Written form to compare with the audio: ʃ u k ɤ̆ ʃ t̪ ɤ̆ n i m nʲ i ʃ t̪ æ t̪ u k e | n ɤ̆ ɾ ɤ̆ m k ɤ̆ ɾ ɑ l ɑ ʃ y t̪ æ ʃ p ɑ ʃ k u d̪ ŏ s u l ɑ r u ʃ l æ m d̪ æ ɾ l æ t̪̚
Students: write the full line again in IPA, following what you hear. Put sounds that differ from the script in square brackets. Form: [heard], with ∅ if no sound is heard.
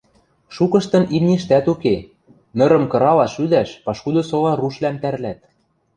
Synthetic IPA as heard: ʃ u k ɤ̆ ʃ t̪ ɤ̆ n i m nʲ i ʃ t̪ æ t̪ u k e | n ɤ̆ ɾ ɤ̆ m k ɤ̆ ɾ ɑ l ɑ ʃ y [d̪] æ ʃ p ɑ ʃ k u d̪ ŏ s [o] l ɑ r u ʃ l æ m [t̪] æ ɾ l æ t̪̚